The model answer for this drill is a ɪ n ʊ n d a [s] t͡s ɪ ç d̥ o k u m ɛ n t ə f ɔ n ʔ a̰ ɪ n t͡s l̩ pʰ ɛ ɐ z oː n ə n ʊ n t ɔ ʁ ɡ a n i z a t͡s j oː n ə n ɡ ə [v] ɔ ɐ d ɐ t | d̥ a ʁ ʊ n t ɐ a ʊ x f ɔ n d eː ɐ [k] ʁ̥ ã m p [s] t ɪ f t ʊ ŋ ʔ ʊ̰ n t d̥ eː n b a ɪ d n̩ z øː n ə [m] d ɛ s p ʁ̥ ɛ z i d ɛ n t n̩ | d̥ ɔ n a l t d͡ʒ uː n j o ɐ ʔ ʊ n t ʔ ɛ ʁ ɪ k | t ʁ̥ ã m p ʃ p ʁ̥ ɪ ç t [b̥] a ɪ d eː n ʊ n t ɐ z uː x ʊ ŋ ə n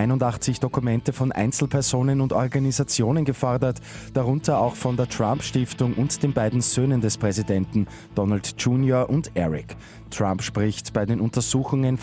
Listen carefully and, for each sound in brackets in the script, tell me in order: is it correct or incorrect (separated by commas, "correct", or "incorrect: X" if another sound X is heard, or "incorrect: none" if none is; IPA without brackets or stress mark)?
incorrect: χ, incorrect: f, incorrect: t, incorrect: ʃ, incorrect: n, correct